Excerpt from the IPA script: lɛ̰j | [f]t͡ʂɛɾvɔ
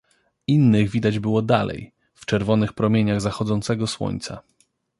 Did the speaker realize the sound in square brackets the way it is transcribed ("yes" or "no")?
yes